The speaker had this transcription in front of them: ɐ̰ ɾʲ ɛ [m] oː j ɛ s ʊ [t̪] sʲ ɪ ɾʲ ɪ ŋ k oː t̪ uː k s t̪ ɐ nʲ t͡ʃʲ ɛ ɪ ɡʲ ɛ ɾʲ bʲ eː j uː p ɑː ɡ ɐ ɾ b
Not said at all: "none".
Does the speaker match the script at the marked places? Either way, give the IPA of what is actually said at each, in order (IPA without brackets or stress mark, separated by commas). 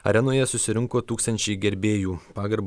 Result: n, none